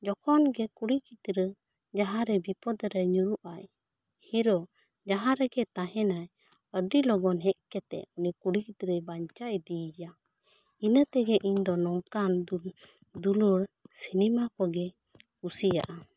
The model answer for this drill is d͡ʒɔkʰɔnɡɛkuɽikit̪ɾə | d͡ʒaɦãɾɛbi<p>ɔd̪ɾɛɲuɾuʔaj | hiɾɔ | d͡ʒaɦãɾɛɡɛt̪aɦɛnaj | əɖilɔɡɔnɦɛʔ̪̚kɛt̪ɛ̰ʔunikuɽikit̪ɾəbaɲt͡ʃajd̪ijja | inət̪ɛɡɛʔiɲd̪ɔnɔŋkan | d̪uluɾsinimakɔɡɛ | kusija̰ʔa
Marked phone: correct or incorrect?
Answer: correct